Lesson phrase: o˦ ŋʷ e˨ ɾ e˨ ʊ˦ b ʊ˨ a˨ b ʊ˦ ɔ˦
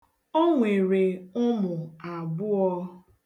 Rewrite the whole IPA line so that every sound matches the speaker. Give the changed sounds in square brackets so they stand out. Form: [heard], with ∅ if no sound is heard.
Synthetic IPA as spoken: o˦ ŋʷ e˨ ɾ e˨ ʊ˦ [m] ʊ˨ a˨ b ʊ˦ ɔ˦